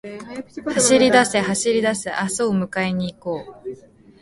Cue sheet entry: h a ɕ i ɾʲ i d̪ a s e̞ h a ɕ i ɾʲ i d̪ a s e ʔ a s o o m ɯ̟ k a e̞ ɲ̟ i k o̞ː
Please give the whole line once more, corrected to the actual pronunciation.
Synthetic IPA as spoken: h a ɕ i ɾʲ i d̪ a s e̞ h a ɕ i ɾʲ i d̪ a s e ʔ a s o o m ɯ̟ k a e̞ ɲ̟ iː k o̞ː

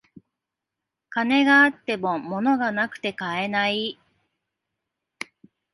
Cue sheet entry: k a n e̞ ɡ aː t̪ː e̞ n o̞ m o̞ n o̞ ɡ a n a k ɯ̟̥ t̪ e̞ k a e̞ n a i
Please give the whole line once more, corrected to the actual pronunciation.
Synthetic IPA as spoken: k a n e̞ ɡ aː t̪ː e̞ m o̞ m o̞ n o̞ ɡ a n a k ɯ̟̥ t̪ e̞ k a e̞ n a i

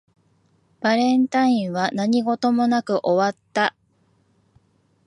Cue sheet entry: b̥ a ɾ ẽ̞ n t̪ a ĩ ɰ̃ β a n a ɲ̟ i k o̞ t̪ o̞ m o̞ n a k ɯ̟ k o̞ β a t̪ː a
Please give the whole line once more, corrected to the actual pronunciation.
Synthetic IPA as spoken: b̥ a ɾ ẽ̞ n t̪ a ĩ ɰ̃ β a n a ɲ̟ i ɡ o̞ t̪ o̞ m o̞ n a k ɯ̟ ʔ o̞ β a t̪ː a

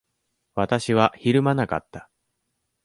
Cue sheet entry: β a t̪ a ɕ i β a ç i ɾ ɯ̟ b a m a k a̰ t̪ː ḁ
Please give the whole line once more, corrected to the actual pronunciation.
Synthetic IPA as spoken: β a t̪ a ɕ i β a ç i ɾ ɯ̟ m a n a k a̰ t̪ː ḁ

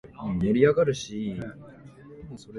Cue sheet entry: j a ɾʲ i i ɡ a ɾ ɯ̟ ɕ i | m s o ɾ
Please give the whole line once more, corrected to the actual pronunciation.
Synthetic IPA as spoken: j a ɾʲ i a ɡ a ɾ ɯ̟ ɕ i | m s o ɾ

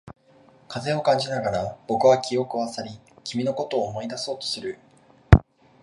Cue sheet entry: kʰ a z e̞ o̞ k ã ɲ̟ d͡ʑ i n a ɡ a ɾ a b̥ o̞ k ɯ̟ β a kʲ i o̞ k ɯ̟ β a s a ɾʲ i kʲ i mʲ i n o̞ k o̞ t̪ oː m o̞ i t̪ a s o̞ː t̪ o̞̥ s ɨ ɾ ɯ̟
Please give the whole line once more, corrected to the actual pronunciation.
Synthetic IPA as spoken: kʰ a z e̞ o̞ k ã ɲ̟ d͡ʑ i n a ɡ a ɾ a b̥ o̞ k ɯ̟ β a kʲ i o̞ k ɯ̟ β a s a ɾʲ i kʲ i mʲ i n o̞ k o̞ t̪ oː m o̞ i d̪ a s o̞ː t̪ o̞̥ s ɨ ɾ ɯ̟

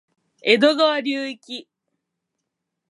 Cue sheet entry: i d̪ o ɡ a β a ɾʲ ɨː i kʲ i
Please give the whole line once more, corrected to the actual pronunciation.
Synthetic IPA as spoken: e d̪ o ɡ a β a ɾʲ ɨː i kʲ i

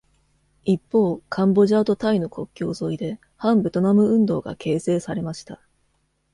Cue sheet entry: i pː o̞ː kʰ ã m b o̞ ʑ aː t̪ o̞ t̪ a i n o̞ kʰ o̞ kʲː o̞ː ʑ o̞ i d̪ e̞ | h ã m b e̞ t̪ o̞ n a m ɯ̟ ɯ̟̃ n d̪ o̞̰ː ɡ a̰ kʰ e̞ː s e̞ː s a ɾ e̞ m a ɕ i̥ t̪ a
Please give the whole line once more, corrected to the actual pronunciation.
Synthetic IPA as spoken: i pː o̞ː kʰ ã m b o̞ ʑ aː t̪ o̞ t̪ a i n o̞ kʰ o̞ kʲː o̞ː z o̞ i d̪ e̞ | h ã m b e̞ t̪ o̞ n a m ɯ̟ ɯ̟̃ n d̪ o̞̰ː ɡ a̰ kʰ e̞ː s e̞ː s a ɾ e̞ m a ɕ i̥ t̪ a

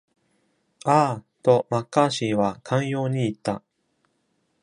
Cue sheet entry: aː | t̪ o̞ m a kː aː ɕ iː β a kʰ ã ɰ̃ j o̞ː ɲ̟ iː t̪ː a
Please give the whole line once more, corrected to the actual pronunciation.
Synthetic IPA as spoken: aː | t̪ o̞ m a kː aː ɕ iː β a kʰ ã ɰ̃ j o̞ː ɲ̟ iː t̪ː a

